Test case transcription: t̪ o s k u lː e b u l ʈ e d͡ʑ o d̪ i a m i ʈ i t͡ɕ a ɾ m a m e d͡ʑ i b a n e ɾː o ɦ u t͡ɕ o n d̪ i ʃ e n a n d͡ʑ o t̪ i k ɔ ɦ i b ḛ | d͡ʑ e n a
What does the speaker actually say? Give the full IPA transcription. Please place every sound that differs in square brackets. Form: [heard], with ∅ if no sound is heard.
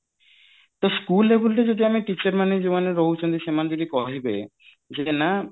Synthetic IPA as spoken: t̪ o s k u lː e b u l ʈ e d͡ʑ o d̪ i a m i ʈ i t͡ɕ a ɾ m a [n] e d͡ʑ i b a n e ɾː o ɦ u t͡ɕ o n d̪ i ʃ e [m] a n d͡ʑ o [d̪] i k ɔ ɦ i b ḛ | d͡ʑ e n a